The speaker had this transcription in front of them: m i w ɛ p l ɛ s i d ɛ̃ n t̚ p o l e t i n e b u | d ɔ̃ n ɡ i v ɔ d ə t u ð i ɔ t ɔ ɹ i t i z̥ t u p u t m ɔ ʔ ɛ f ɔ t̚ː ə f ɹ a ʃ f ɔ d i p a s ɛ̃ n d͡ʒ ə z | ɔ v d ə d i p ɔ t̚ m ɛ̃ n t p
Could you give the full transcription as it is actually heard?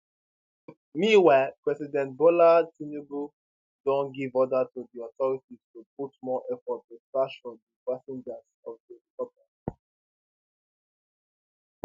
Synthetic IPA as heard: m i w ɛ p ɹ ɛ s i d ɛ̃ n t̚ b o l a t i n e b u | d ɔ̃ n ɡ i v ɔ d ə t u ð i ɔ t ɔ ɹ i t i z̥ t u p u t m ɔ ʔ ɛ f ɔ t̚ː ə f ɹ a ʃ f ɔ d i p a s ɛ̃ n d͡ʒ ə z | ɔ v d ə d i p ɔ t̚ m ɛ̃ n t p